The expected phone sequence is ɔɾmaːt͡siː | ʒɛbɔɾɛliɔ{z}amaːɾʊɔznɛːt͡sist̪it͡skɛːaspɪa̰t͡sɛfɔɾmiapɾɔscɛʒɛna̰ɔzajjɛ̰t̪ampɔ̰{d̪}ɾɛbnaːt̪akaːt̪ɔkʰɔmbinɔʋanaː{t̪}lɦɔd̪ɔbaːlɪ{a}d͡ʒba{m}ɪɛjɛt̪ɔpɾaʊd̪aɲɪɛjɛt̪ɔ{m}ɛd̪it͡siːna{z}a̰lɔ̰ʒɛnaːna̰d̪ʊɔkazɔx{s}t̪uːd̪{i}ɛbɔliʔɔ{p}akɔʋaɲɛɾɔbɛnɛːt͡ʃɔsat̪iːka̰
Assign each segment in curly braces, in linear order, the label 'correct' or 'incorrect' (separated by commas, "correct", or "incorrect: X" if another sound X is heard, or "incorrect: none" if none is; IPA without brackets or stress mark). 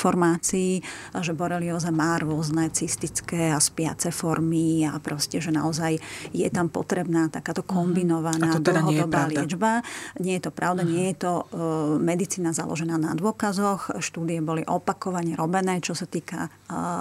correct, incorrect: t̪, incorrect: d̪, incorrect: ɛ, incorrect: ɲ, correct, correct, incorrect: ʃ, correct, correct